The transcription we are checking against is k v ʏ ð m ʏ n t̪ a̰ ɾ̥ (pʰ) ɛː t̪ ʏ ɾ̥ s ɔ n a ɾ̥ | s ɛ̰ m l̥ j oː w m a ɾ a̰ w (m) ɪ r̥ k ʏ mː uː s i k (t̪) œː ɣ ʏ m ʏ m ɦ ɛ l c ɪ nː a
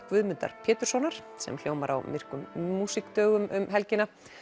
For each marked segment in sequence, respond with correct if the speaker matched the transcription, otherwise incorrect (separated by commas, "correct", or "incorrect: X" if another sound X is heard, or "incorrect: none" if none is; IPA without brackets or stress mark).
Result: correct, correct, correct